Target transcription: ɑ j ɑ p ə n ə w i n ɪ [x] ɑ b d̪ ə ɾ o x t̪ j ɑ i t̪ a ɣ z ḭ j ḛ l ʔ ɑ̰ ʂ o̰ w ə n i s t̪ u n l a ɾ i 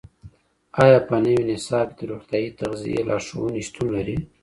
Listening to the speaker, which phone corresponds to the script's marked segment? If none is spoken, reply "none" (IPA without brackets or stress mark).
s